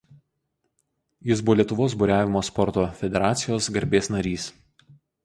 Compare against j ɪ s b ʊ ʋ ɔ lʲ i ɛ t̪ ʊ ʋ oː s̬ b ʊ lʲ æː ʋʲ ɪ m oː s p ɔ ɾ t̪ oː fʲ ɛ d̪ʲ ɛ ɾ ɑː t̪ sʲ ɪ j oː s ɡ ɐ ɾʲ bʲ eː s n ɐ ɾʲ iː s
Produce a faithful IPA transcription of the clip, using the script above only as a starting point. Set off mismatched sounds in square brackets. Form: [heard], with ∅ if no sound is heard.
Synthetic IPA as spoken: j ɪ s b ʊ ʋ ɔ lʲ i ɛ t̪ ʊ ʋ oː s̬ b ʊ [ɾʲ] æː ʋʲ ɪ m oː s p ɔ ɾ t̪ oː fʲ ɛ d̪ʲ ɛ ɾ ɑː t̪ sʲ ɪ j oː s ɡ ɐ ɾʲ bʲ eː s n ɐ ɾʲ iː s